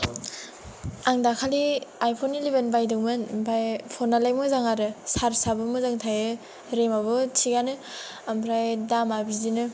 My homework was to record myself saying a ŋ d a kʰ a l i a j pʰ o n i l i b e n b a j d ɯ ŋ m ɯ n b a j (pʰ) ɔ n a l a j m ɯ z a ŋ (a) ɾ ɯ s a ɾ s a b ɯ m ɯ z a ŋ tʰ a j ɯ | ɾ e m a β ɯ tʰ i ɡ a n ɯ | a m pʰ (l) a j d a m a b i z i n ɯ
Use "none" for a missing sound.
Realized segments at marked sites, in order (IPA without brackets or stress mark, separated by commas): pʰ, a, ɾ